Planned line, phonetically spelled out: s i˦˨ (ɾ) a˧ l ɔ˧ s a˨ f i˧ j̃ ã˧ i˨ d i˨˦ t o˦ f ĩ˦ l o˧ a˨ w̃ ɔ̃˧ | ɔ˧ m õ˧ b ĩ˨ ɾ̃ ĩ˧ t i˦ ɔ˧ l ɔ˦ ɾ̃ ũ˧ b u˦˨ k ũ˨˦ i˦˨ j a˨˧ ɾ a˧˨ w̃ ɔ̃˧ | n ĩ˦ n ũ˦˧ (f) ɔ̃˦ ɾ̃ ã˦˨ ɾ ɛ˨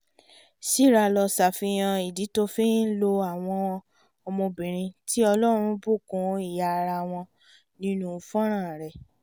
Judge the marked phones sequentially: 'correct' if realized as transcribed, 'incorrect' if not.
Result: correct, correct

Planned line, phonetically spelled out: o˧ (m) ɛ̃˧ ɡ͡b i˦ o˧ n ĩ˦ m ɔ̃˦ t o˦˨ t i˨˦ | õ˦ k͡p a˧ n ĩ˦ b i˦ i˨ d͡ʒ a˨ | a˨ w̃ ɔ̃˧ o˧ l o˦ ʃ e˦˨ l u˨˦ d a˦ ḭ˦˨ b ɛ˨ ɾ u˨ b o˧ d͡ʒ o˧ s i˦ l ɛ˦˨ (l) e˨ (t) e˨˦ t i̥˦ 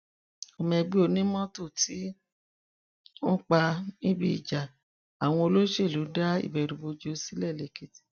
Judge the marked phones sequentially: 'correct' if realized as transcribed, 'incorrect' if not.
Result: correct, correct, incorrect

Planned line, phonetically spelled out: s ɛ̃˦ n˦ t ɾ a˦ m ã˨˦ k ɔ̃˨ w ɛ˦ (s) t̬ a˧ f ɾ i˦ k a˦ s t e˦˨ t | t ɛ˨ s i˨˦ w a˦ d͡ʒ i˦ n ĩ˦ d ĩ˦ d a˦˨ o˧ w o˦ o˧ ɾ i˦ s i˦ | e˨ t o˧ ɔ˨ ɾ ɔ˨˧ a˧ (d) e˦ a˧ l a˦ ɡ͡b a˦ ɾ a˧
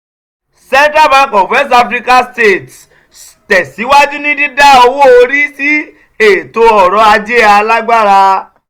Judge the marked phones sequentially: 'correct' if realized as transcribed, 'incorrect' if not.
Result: correct, incorrect

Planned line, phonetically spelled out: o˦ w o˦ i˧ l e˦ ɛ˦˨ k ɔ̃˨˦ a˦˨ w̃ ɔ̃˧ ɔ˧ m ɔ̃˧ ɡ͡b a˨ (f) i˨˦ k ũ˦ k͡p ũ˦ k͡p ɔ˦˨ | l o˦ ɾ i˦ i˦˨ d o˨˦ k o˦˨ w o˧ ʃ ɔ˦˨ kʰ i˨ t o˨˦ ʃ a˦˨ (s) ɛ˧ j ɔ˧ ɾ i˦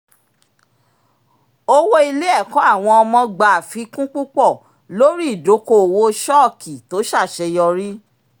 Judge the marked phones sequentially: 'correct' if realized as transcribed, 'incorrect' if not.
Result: correct, incorrect

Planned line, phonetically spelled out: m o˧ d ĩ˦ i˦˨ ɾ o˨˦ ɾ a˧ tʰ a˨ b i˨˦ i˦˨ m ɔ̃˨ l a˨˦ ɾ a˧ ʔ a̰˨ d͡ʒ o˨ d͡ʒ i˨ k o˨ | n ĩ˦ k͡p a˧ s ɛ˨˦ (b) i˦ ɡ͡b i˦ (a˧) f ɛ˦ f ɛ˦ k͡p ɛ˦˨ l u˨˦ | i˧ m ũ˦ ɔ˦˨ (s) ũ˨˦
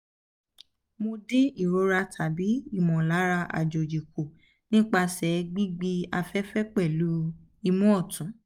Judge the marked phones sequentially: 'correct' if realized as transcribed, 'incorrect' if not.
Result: incorrect, correct, incorrect

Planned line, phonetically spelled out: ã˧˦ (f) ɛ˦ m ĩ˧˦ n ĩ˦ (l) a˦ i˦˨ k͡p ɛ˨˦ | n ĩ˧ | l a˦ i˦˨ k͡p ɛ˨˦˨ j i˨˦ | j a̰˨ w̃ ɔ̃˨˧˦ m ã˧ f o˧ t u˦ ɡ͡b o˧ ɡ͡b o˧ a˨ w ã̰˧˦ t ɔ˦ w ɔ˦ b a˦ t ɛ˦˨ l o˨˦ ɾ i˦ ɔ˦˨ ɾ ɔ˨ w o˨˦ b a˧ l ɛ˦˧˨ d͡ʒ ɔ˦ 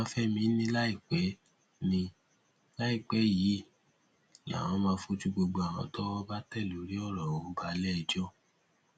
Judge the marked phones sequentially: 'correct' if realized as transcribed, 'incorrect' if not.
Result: correct, correct

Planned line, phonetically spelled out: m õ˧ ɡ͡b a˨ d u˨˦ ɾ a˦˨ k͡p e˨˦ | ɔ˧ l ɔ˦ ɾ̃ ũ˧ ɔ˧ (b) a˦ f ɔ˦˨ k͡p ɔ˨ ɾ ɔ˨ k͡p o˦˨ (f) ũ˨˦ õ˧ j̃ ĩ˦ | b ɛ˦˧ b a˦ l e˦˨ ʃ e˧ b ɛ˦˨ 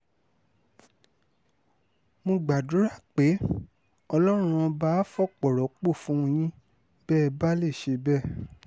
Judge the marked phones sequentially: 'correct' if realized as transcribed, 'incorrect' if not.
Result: correct, correct

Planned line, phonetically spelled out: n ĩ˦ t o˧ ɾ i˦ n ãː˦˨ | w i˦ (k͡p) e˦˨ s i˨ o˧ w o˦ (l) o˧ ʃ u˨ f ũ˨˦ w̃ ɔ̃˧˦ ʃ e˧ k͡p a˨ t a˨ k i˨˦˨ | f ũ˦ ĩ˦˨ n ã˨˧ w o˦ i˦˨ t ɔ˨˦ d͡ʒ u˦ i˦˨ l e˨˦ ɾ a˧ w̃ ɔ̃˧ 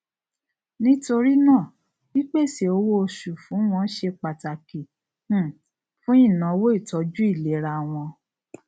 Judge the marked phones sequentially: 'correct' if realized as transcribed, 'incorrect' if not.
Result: correct, incorrect

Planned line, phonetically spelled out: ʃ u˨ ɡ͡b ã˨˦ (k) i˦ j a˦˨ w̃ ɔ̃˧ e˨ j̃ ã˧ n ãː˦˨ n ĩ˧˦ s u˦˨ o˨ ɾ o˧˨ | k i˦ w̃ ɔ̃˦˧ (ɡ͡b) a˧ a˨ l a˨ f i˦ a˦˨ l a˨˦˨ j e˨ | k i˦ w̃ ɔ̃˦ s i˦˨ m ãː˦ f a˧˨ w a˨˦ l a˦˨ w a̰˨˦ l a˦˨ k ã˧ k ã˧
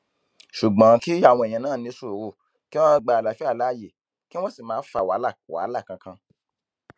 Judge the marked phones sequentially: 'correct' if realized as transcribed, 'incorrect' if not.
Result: correct, correct

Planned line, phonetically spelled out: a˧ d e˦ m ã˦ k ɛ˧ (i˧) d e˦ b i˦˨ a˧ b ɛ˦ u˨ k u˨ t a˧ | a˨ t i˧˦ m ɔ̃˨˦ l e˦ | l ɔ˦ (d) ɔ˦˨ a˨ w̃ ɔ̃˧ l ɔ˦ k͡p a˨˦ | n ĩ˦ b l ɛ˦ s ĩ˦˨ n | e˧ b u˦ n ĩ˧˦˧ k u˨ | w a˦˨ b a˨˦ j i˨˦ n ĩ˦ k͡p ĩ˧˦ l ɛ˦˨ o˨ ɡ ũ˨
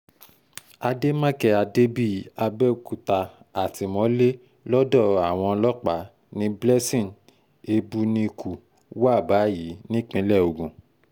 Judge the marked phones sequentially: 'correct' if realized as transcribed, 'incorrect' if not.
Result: incorrect, correct

